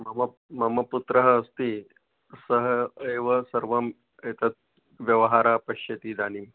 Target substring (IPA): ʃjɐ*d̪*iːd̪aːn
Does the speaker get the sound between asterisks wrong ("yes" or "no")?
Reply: yes